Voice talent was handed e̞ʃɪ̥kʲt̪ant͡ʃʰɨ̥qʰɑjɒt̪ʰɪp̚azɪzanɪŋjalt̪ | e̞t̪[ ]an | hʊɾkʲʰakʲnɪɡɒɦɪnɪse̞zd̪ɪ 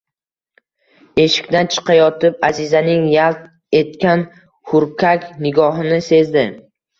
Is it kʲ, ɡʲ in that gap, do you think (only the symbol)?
kʲ